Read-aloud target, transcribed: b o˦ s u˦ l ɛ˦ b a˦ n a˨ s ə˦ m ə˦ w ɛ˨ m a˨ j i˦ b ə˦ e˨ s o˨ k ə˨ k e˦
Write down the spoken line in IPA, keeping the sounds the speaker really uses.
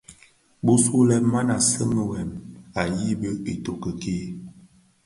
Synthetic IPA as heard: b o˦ s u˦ l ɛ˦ m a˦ n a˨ s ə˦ m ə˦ w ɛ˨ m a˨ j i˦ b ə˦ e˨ t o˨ k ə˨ k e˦